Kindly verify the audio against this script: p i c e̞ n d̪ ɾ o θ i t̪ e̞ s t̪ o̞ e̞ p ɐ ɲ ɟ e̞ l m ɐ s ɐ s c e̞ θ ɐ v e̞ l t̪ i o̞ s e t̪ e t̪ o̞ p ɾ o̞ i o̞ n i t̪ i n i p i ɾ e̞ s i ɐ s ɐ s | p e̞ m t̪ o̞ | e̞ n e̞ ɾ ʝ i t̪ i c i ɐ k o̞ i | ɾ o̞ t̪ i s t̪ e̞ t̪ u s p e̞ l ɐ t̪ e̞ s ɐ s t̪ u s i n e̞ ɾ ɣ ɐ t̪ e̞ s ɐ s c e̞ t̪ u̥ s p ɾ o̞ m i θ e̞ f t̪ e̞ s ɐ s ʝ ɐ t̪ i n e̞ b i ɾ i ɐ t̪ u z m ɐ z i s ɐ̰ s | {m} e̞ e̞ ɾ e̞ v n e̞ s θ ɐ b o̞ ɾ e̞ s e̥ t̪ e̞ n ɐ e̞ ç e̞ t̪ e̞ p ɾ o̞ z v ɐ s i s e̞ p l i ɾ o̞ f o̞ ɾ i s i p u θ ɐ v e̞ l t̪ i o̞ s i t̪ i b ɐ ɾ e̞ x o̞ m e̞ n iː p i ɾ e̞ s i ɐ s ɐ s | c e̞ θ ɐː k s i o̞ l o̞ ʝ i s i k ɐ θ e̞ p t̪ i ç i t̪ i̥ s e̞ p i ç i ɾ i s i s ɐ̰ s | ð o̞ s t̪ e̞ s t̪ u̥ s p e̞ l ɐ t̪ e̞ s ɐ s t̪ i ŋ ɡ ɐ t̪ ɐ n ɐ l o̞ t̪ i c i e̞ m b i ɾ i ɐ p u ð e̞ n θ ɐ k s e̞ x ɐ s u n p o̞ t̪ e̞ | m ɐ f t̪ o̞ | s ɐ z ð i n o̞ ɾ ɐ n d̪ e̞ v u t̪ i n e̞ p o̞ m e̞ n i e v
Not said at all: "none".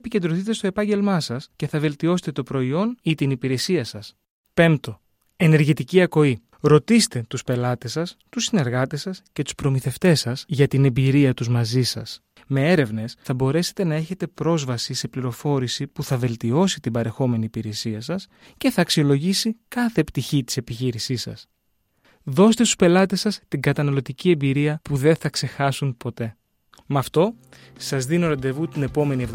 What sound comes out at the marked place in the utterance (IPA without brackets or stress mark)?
m